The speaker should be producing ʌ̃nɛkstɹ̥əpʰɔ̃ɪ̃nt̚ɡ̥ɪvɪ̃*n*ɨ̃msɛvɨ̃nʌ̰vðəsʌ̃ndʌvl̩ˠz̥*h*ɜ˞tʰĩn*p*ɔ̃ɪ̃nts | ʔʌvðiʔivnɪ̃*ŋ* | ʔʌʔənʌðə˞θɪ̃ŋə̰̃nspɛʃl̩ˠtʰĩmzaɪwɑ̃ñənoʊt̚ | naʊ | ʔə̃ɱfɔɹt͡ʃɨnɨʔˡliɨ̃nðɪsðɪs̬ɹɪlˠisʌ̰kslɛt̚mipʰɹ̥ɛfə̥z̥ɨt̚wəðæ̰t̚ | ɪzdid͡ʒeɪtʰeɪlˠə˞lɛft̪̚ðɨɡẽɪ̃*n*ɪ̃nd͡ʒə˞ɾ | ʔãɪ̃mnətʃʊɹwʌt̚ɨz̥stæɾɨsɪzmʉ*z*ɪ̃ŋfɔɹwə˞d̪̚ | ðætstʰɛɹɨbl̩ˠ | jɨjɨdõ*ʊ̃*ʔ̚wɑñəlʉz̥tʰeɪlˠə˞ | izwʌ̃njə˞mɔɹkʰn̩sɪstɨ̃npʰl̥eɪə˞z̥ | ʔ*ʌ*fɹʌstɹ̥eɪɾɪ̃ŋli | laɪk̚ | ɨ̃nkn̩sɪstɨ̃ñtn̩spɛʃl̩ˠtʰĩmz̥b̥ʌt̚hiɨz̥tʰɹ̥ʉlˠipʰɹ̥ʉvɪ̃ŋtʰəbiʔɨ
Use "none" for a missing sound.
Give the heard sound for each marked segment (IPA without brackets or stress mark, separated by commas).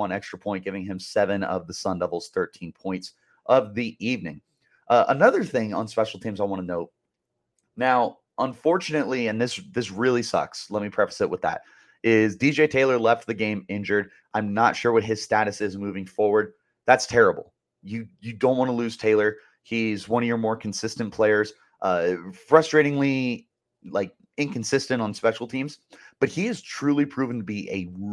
ŋ, θ, pʰ, ŋ, m, v, ʊ̃, ʌ